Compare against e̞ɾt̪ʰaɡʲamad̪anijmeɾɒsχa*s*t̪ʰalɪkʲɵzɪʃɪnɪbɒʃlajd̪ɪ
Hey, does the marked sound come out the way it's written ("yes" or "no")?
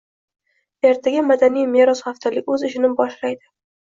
no